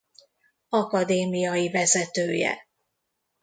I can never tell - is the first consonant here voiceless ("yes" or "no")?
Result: yes